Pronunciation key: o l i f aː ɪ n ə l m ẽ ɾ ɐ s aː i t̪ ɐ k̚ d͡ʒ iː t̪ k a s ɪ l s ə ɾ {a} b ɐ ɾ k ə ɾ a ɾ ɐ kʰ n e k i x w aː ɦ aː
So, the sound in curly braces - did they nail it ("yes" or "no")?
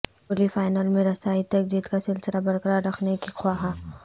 yes